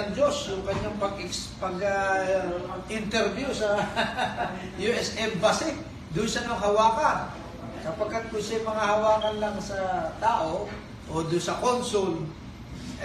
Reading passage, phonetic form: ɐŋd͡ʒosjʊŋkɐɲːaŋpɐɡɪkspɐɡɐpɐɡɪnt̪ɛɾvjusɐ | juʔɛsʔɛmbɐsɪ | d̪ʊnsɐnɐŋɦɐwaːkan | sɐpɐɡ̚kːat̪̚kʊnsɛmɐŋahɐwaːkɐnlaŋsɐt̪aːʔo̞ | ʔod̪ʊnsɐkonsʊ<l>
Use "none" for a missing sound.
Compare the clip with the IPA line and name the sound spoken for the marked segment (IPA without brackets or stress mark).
l